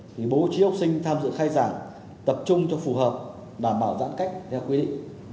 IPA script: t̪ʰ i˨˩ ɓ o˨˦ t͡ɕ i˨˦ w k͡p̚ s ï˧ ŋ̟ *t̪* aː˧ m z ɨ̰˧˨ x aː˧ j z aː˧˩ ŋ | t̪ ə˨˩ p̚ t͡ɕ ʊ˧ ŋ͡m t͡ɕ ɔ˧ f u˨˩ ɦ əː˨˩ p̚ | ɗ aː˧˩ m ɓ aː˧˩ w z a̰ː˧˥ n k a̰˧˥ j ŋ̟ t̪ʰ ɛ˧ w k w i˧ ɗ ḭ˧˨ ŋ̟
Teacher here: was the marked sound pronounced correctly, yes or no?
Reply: no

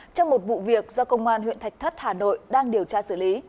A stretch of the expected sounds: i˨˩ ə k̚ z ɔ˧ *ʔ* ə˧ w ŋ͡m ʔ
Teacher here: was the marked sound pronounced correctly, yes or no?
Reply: no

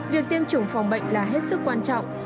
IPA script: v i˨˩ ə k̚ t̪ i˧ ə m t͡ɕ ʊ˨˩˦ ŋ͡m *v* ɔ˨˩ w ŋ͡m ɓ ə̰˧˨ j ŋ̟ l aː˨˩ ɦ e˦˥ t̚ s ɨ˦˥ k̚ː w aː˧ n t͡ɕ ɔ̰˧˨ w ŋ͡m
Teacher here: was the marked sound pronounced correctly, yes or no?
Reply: no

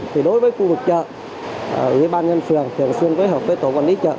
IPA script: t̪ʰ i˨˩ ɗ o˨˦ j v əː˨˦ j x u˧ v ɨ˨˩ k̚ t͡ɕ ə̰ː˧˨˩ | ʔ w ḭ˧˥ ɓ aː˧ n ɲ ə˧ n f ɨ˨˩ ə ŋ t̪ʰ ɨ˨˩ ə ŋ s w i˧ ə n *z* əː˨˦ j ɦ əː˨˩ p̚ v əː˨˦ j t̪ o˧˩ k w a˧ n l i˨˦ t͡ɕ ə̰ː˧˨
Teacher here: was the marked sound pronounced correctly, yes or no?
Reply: no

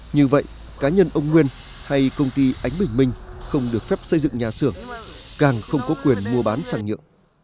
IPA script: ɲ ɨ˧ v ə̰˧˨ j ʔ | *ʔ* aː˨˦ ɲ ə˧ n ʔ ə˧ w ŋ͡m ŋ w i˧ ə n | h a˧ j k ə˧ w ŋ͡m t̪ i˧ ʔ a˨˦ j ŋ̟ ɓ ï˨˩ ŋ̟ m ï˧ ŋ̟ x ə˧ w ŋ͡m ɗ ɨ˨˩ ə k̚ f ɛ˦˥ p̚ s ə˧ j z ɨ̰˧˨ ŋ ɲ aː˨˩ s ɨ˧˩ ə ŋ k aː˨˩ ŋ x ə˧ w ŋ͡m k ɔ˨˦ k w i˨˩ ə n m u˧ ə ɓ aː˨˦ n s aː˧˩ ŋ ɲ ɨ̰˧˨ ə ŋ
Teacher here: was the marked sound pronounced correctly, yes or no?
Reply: no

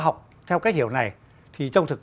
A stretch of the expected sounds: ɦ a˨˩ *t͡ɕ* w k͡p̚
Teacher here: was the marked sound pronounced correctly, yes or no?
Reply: no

